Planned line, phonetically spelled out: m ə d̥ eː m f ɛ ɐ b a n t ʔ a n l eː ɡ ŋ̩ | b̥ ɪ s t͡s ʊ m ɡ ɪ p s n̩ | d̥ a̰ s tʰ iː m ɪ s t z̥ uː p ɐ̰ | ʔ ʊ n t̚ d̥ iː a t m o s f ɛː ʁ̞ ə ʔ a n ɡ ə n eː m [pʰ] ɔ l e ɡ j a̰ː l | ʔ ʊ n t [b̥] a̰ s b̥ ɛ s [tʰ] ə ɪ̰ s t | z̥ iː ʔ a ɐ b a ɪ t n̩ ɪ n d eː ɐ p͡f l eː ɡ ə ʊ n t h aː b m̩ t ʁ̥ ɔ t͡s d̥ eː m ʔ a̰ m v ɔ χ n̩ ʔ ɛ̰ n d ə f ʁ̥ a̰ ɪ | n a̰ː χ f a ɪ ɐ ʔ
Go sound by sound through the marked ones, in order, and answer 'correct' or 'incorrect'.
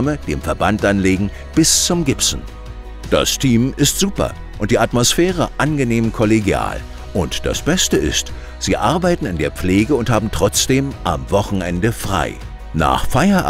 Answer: incorrect, incorrect, incorrect

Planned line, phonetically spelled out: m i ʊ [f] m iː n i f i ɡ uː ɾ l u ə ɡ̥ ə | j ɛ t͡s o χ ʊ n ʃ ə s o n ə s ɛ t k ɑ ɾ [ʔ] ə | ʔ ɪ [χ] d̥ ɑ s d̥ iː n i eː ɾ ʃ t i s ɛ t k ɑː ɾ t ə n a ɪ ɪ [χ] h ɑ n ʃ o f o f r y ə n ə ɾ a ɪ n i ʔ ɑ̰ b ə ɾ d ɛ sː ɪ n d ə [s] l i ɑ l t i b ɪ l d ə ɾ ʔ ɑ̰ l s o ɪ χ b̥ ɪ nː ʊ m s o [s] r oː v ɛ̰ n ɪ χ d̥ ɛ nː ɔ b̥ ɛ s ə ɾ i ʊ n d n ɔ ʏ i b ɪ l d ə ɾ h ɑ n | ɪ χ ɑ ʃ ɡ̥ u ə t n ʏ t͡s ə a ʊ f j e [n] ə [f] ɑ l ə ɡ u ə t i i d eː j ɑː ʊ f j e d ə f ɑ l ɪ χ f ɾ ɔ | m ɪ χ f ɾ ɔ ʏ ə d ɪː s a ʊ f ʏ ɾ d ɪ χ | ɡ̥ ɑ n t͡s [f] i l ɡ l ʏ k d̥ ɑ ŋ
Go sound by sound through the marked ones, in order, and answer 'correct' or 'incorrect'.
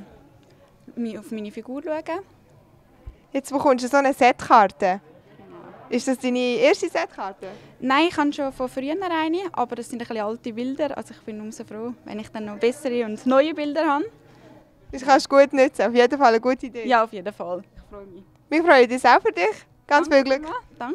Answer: correct, incorrect, incorrect, correct, incorrect, incorrect, incorrect, correct, correct

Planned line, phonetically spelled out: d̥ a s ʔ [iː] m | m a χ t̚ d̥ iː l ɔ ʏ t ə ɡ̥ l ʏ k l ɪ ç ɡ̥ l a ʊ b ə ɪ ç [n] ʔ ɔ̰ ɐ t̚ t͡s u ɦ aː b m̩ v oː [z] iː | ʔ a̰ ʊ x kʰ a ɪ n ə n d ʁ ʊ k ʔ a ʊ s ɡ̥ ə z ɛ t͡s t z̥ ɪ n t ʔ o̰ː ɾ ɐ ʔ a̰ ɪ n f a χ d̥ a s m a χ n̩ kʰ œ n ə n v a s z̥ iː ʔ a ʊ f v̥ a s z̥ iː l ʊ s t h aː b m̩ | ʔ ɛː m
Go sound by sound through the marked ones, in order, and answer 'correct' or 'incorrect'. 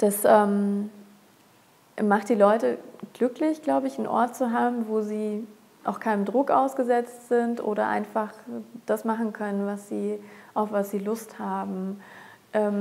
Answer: incorrect, correct, correct

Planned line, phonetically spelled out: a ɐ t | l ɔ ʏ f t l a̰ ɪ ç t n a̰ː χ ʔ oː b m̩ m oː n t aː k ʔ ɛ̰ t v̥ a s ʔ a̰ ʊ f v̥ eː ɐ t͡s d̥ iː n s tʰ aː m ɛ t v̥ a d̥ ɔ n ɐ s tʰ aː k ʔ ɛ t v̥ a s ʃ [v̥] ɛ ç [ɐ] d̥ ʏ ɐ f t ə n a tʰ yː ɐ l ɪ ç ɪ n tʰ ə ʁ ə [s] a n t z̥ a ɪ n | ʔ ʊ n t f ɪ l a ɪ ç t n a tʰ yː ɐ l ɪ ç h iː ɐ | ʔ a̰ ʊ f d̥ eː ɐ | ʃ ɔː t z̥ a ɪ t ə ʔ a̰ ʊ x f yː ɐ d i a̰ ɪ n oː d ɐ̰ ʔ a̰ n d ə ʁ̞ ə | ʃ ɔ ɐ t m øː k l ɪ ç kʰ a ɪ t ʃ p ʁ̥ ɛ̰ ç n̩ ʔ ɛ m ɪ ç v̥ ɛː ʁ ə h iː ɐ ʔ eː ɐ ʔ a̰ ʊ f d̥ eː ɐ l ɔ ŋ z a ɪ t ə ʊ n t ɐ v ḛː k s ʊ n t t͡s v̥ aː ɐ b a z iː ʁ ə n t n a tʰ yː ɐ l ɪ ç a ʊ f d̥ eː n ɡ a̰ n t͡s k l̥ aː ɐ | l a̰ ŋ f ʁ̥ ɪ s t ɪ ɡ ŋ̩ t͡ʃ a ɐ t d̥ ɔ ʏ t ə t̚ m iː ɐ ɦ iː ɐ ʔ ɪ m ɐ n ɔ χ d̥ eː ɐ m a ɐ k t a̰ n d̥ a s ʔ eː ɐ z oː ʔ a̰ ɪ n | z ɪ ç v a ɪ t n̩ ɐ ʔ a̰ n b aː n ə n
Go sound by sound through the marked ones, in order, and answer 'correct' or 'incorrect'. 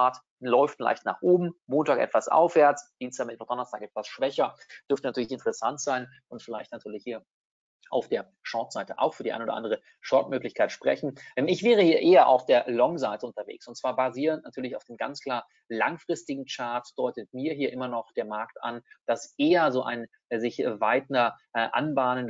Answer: correct, correct, correct

